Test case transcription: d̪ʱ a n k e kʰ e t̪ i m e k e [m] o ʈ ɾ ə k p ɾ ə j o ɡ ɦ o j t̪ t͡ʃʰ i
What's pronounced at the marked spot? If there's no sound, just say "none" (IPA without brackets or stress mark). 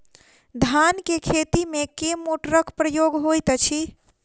m